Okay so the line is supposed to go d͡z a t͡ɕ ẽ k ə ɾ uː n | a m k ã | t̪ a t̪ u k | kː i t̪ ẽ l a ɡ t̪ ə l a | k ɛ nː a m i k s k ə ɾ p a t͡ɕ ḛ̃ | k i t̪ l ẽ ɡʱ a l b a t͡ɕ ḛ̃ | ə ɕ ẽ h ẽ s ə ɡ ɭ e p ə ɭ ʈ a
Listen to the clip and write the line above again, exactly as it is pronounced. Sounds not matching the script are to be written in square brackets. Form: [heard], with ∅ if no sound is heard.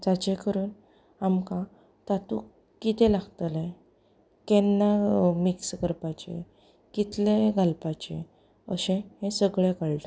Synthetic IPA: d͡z a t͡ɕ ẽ k ə ɾ uː n | a m k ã | t̪ a t̪ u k | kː i t̪ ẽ l a ɡ t̪ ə l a | k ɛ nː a m i k s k ə ɾ p a t͡ɕ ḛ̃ | k i t̪ l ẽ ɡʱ a l [p] a t͡ɕ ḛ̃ | ə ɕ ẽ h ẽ s ə ɡ ɭ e [k] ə ɭ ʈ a